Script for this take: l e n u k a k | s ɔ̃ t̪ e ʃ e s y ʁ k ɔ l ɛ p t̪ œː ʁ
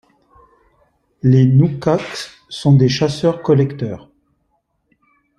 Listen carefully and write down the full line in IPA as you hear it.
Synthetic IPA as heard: l e n u k a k | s ɔ̃ d̪ e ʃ a s œ ʁ k ɔ l ɛ k t̪ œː ʁ